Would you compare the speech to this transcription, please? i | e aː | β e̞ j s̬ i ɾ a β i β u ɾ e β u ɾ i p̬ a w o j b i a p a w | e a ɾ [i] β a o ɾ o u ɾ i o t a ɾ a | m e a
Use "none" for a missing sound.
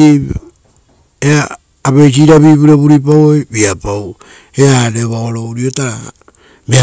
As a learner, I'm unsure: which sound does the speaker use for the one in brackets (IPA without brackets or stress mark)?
e